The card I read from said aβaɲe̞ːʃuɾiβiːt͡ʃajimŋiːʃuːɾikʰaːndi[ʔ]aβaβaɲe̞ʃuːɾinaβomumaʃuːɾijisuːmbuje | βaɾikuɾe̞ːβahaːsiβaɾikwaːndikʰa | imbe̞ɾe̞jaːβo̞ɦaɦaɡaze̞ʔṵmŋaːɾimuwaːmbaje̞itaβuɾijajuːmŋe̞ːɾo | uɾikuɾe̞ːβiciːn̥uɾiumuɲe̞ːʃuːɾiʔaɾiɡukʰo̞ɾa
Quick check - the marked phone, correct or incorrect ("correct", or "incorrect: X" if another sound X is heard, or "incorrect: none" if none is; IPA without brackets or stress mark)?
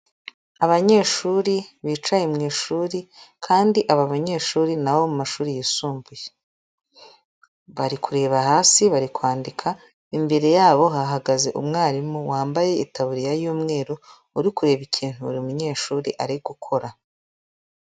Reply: correct